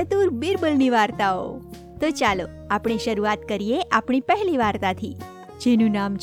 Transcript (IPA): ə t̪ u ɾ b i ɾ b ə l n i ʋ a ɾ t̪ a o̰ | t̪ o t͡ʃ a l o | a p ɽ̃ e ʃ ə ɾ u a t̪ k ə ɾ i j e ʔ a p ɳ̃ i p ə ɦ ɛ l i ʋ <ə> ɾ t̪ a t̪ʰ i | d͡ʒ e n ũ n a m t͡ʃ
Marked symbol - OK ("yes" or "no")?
no